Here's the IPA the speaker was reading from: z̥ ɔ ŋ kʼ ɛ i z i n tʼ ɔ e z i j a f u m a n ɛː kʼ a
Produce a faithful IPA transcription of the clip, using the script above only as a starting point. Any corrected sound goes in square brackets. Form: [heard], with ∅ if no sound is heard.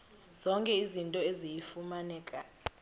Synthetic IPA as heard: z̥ ɔ ŋ kʼ ɛ i z i n tʼ ɔ e z i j [i] f u m a n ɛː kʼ a